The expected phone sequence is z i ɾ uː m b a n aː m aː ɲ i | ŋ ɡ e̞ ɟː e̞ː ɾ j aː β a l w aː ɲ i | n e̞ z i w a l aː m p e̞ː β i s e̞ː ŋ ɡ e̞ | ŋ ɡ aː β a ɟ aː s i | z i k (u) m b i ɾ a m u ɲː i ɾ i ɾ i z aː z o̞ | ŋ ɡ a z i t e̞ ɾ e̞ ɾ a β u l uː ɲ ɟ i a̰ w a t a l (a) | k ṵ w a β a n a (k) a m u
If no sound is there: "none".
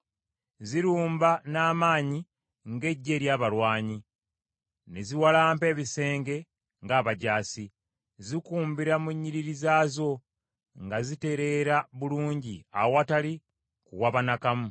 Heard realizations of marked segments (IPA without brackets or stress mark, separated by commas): uː, i, k